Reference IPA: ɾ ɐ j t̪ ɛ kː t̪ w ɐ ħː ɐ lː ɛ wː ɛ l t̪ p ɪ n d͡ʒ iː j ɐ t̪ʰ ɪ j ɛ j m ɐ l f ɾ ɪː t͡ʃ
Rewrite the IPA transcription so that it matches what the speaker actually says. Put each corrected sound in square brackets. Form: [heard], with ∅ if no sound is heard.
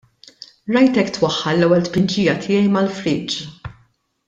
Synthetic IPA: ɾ ɐ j t̪ ɛ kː t̪ w ɐ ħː ɐ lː ɛ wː ɛ l t̪ p ɪ n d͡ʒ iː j ɐ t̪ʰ ɪ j ɛ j m ɐ l f ɾ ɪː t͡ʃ